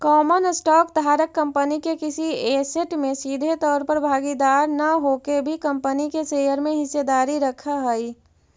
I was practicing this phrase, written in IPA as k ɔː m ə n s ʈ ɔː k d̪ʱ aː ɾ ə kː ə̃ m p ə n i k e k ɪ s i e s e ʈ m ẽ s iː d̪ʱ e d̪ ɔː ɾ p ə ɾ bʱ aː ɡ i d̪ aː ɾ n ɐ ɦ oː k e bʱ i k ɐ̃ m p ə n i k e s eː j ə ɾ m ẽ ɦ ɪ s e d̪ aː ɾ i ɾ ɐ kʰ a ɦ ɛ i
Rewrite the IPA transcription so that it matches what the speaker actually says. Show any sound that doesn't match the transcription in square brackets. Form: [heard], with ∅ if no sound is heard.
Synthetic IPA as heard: k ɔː m ə n s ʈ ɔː k d̪ʱ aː ɾ ə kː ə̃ m p ə n i k e k ɪ s i e s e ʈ m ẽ s iː d̪ʱ e [t̪] ɔː ɾ p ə ɾ bʱ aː ɡ i d̪ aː ɾ n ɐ ɦ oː k e bʱ i k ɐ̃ m p ə n i k e s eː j ə ɾ m ẽ ɦ ɪ s e d̪ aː ɾ i ɾ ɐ kʰ a ɦ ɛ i